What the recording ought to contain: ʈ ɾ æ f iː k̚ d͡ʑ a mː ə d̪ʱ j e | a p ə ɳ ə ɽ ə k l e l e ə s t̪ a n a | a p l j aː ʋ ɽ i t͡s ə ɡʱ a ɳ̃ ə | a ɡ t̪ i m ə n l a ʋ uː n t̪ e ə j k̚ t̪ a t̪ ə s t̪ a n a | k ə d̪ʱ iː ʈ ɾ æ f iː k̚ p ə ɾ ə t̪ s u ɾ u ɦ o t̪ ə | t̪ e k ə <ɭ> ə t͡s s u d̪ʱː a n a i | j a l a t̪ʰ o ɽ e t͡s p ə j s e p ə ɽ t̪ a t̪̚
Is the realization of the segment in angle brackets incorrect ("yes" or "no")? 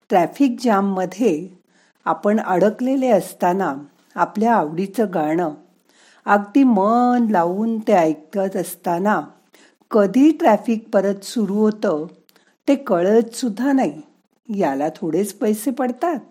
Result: no